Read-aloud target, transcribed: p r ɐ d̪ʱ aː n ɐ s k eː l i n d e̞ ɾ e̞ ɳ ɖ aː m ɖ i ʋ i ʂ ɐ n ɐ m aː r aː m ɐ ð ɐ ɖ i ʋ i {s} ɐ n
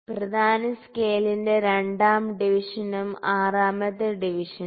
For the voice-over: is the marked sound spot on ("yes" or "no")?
no